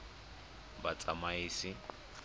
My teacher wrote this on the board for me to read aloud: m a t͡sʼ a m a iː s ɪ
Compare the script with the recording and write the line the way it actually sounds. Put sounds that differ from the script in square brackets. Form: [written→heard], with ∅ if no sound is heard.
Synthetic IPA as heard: [m→b] a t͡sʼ a m a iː s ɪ